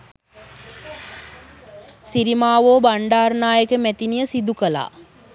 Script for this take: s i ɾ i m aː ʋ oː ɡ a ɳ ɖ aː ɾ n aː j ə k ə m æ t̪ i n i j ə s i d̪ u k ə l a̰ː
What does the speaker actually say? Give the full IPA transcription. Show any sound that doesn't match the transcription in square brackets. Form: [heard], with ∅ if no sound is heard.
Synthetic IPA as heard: s i ɾ i m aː ʋ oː [b] a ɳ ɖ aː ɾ n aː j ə k ə m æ t̪ i n i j ə s i d̪ u k ə l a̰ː

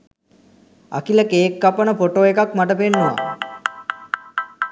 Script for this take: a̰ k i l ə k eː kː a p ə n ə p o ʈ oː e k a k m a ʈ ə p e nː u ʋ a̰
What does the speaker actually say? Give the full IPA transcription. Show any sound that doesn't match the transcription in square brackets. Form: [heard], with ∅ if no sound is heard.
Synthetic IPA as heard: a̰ k i l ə k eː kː a p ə n ə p o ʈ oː e k a k m a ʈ ə p e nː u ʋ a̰

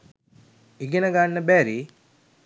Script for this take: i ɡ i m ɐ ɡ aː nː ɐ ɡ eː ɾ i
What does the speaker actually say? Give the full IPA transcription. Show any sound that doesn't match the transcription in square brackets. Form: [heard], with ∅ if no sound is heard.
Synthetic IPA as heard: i ɡ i [n] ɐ ɡ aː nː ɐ [b] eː ɾ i

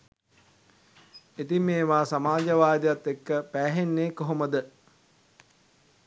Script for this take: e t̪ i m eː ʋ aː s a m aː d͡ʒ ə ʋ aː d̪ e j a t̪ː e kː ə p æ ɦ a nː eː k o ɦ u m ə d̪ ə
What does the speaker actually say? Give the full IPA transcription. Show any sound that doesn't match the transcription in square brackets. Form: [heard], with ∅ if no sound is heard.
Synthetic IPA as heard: e t̪ i m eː ʋ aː s a m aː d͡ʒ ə ʋ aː d̪ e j a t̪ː e kː ə p [æː] ɦ [e] nː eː k o ɦ [o] m ə d̪ ə

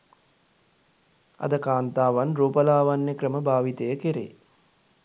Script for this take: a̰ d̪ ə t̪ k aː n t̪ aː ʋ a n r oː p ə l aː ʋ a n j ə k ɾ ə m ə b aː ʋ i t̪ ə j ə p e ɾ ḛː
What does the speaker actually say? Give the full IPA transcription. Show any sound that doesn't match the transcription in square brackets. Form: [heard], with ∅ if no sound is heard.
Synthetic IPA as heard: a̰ d̪ ə [∅] k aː n t̪ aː ʋ a n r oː p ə l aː ʋ a n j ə k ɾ ə m ə b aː ʋ i t̪ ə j ə [k] e ɾ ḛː

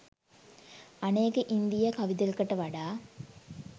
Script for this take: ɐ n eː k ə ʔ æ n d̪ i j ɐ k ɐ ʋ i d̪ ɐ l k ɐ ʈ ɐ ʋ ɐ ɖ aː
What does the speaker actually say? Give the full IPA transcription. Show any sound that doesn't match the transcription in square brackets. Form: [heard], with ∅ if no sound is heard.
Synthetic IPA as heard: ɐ n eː k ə ʔ [i] n d̪ i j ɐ k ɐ ʋ i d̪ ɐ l k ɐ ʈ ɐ ʋ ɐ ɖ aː

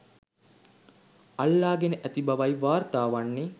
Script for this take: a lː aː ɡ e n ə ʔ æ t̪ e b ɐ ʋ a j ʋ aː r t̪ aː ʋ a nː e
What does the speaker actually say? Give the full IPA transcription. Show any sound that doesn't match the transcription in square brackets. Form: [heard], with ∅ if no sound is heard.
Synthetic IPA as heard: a lː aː ɡ e n ə ʔ æ t̪ [i] b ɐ ʋ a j ʋ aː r t̪ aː ʋ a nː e

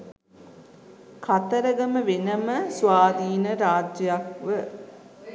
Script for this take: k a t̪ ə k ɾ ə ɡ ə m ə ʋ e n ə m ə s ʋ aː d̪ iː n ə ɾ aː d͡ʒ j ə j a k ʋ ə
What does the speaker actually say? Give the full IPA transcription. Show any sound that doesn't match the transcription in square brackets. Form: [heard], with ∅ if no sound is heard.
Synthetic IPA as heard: k a t̪ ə [∅] ɾ ə ɡ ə m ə ʋ e n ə m ə s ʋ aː d̪ iː n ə ɾ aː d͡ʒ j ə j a k ʋ ə

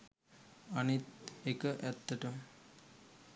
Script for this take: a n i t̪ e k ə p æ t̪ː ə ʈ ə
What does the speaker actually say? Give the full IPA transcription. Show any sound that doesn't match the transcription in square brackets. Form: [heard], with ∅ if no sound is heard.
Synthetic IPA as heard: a n i t̪ e k ə [ʔ] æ t̪ː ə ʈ ə

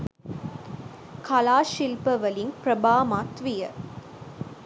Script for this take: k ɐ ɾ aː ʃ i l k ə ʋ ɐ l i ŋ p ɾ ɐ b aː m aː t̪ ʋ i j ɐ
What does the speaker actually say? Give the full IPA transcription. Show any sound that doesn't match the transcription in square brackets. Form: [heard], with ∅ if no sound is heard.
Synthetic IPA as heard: k ɐ [l] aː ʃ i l [p] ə ʋ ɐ l i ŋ p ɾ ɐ b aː m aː t̪ ʋ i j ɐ

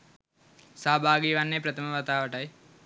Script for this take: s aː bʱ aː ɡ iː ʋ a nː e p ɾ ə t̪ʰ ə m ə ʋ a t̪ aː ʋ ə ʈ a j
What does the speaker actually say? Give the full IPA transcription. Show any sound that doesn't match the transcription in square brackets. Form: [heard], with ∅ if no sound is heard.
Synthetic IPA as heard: s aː bʱ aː ɡ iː ʋ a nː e p ɾ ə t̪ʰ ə m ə ʋ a t̪ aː ʋ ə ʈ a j

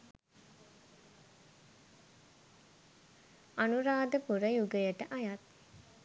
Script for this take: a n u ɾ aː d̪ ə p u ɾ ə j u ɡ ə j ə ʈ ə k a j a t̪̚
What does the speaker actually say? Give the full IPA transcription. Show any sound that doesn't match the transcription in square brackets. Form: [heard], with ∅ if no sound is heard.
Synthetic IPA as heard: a n u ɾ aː d̪ ə p u ɾ ə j u ɡ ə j ə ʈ ə [ʔ] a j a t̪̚

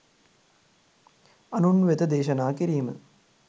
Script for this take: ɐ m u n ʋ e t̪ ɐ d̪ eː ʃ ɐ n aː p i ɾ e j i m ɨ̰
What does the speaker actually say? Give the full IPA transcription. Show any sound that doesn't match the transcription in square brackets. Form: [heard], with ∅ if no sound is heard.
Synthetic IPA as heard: ɐ [n] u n ʋ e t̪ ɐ d̪ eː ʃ ɐ n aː [k] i ɾ [i] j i m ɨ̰

